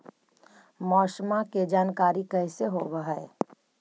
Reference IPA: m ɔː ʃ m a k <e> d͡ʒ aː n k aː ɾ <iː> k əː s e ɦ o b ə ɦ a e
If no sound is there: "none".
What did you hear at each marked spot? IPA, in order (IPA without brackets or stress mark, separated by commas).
e, i